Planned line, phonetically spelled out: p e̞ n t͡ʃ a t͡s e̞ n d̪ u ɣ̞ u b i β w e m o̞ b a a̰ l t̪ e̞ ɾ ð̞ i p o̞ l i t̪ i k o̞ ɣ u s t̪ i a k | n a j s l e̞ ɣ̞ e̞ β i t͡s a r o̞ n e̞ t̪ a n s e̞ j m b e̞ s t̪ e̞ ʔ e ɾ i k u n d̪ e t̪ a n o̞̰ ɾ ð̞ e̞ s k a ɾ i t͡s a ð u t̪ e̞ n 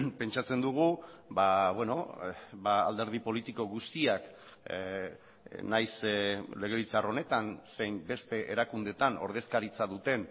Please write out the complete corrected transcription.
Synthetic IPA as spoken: p e̞ n t͡ʃ a t͡s e̞ n d̪ u ɣ̞ u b a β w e n o̞ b a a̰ l d̪ e̞ ɾ ð̞ i p o̞ l i t̪ i k o̞ ɣ u s t̪ i a k | n a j s l e̞ ɣ̞ e̞ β i t͡s a r o̞ n e̞ t̪ a n s e̞ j m b e̞ s t̪ e̞ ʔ e ɾ a k u n d̪ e t̪ a n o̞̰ ɾ ð̞ e̞ s k a ɾ i t͡s a ð u t̪ e̞ n

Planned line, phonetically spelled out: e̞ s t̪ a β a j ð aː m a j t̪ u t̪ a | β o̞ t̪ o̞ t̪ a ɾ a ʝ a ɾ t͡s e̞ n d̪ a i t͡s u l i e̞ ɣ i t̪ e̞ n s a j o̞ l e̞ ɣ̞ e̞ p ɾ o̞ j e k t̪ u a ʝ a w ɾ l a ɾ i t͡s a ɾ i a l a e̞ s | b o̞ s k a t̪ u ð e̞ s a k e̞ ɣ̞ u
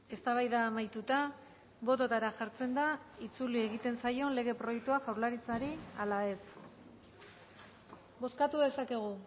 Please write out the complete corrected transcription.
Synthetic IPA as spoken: e̞ s t̪ a β a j ð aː m a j t̪ u t̪ a | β o̞ t̪ o̞ t̪ a ɾ a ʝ a ɾ t͡s e̞ n d̪ a i t͡s u l i e̞ ɣ i t̪ e̞ n s a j o̞ l e̞ ɣ̞ e̞ p ɾ o̞ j e k t̪ u a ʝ a w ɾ l a ɾ i t͡s a ɾ i a l a e̞ s | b o̞ s k a t̪ u ð e̞ s a k e̞ ɣ̞ u

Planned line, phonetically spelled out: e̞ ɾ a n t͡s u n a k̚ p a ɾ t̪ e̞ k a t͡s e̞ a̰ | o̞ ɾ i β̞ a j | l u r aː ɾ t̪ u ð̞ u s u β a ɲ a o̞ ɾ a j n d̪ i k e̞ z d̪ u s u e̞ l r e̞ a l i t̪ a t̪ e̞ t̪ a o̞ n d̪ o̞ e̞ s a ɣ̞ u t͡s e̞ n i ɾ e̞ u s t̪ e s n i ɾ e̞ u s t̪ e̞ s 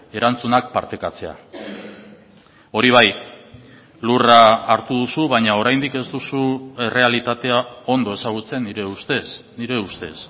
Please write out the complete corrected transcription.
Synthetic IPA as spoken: e̞ ɾ a n t͡s u n a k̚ p a ɾ t̪ e̞ k a t͡s e̞ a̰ | o̞ ɾ i β̞ a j | l u r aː ɾ t̪ u ð̞ u s u β a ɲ a o̞ ɾ a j n d̪ i k e̞ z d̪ u s u e̞ r e̞ a l i t̪ a t̪ e̞ a o̞ n d̪ o̞ e̞ s a ɣ̞ u t͡s e̞ n i ɾ e̞ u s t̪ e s n i ɾ e̞ u s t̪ e̞ s

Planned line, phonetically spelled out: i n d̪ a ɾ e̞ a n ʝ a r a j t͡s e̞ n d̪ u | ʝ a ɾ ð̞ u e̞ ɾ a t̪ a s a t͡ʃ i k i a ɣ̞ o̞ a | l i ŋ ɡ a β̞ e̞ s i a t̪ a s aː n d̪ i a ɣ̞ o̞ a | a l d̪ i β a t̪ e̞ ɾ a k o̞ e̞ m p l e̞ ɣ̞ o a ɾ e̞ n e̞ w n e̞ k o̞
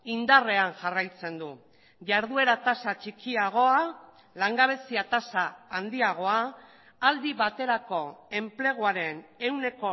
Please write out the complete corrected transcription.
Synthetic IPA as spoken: i n d̪ a r e̞ a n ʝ a r a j t͡s e̞ n d̪ u | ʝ a ɾ ð̞ u e̞ ɾ a t̪ a s a t͡ʃ i k i a ɣ̞ o̞ a | l a ŋ ɡ a β̞ e̞ s i a t̪ a s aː n d̪ i a ɣ̞ o̞ a | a l d̪ i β a t̪ e̞ ɾ a k o̞ e̞ m p l e̞ ɣ̞ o a ɾ e̞ n e̞ w n e̞ k o̞

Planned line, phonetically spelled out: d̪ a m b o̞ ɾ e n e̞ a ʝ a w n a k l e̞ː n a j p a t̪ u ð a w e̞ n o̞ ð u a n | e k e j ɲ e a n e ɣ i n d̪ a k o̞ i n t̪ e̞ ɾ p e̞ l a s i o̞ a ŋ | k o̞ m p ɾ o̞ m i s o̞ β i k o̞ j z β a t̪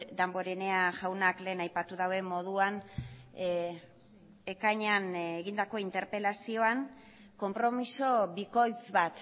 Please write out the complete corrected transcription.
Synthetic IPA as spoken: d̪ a m b o̞ ɾ e n e̞ a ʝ a w n a k l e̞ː n a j p a t̪ u ð a w e̞ m o̞ ð u a n | e k a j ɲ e a n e ɣ i n d̪ a k o̞ i n t̪ e̞ ɾ p e̞ l a s i o̞ a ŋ | k o̞ m p ɾ o̞ m i s o̞ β i k o̞ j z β a t̪

